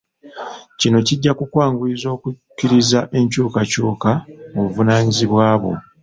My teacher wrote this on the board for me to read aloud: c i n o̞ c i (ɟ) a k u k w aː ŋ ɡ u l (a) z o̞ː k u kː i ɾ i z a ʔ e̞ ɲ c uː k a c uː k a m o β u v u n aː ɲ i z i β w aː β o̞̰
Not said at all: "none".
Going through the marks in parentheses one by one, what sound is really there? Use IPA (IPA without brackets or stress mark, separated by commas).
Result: ɟː, i